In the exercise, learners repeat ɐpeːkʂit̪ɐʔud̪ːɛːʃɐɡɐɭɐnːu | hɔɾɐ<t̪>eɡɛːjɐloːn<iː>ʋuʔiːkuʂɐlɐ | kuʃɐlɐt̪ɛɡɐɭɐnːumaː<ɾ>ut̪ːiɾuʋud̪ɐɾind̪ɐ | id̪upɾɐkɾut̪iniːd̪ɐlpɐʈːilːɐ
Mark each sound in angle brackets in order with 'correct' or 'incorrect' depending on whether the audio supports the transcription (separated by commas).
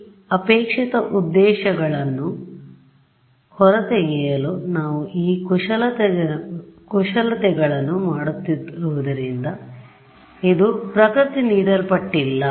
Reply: correct, incorrect, incorrect